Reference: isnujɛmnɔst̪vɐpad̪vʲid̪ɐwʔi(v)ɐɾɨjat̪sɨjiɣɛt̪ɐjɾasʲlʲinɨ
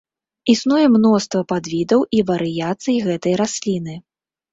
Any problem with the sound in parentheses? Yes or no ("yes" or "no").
no